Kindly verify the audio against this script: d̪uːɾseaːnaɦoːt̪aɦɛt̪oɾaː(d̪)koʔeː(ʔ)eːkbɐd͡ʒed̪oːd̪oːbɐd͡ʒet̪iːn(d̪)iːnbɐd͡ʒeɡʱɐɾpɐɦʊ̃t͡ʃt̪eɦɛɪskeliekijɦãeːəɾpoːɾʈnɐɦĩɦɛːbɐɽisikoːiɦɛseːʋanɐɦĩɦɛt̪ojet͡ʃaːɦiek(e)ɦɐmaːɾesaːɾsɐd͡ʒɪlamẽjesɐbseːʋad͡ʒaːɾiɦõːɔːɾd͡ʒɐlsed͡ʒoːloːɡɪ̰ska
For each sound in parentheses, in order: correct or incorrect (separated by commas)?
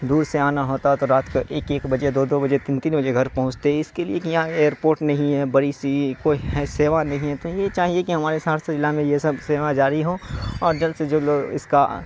incorrect, incorrect, incorrect, incorrect